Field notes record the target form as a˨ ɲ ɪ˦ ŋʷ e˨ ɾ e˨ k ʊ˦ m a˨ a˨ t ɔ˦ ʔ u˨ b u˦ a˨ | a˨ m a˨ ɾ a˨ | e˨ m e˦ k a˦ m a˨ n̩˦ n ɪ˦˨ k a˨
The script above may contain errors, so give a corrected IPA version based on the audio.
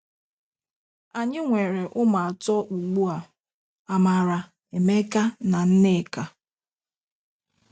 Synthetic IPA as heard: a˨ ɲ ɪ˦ ŋʷ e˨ ɾ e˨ ʔ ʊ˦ m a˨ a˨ t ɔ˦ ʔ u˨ ɡ͡b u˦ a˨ | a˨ m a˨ ɾ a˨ | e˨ m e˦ k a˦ n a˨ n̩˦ n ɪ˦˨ k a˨

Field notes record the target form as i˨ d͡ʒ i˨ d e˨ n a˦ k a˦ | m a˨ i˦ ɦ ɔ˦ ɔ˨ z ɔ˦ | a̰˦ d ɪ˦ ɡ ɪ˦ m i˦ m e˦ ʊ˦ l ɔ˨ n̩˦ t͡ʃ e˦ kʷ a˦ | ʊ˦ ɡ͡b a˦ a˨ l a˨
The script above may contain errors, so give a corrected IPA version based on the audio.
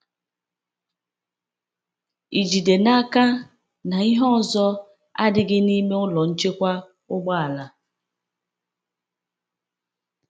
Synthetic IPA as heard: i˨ d͡ʒ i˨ d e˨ n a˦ k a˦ | n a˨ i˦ ɦ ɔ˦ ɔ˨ z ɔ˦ | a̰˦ d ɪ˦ ɡ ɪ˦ n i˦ m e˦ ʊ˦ l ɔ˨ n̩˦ t͡ʃ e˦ kʷ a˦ | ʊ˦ ɡ͡b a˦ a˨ l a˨

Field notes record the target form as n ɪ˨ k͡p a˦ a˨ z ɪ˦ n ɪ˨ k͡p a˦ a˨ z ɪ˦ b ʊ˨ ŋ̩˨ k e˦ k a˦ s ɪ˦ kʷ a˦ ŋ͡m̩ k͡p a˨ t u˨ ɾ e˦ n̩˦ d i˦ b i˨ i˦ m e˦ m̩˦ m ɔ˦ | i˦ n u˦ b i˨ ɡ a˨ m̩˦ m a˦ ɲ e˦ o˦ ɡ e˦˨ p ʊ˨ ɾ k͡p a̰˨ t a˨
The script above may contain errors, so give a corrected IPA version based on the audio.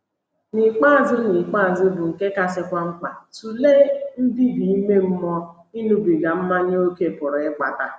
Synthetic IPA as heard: n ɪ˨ k͡p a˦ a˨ z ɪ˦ n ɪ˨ k͡p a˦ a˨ z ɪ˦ b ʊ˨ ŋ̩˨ k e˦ k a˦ s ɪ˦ kʷ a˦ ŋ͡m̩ k͡p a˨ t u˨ l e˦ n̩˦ d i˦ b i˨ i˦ m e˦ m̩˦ m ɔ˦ | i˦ n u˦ b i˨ ɡ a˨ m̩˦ m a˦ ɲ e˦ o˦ k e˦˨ p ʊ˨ ɾ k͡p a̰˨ t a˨

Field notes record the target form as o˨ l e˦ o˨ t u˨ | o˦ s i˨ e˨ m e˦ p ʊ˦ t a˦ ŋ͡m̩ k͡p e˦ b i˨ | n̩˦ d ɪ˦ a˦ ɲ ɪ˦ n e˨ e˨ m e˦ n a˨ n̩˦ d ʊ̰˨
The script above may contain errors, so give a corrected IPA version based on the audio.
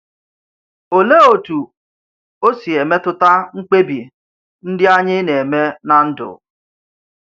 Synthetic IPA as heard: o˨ l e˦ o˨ t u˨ | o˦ s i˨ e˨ m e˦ t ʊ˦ t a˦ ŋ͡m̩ k͡p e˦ b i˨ | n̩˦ d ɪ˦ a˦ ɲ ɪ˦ n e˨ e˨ m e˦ n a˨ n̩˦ d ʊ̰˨

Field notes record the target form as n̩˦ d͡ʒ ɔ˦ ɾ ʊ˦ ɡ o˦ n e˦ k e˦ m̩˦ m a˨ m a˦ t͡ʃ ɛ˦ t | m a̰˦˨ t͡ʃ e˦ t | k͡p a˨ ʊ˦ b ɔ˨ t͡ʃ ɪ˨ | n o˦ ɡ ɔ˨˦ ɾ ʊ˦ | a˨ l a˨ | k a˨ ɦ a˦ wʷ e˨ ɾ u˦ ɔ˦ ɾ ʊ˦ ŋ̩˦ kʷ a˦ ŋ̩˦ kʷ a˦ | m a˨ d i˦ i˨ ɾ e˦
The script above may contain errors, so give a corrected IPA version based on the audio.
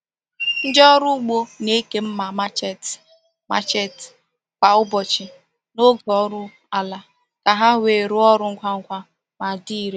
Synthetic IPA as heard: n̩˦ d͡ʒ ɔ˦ ɾ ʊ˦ ɡ͡b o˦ n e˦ k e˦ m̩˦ m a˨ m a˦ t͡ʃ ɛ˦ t | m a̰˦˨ t͡ʃ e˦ t | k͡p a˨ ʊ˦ b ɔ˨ t͡ʃ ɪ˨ | n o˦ ɡ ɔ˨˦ ɾ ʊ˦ | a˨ l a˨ | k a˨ ɦ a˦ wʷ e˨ ɾ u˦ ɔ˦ ɾ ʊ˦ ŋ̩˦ kʷ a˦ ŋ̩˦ kʷ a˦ | m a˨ d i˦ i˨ ɾ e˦

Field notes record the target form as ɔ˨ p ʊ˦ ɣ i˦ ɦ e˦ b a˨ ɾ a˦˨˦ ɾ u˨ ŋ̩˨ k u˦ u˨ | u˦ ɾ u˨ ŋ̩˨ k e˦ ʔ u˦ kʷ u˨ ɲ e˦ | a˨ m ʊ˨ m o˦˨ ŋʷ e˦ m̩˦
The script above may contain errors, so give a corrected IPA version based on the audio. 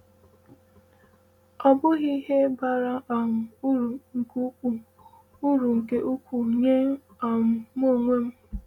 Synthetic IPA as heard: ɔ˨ b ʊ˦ ɣ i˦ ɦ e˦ b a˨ ɾ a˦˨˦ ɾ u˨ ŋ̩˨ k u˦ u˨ | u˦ ɾ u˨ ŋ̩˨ k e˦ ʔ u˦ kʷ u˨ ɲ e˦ | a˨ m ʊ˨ m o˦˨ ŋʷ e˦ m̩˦

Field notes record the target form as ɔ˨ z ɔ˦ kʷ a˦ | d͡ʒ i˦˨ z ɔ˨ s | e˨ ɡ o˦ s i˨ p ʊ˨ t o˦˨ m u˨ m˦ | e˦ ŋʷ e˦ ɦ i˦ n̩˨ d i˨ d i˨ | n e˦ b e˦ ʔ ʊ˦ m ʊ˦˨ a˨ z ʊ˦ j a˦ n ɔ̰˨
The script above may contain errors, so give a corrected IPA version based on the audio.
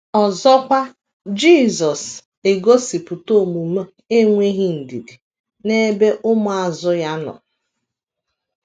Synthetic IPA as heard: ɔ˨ z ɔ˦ kʷ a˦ | d͡ʒ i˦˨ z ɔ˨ s | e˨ ɡ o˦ s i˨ p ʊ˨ t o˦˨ m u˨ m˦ | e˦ ŋʷ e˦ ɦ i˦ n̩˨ d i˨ d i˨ | n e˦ b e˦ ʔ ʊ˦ m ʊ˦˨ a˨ z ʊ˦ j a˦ n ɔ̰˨

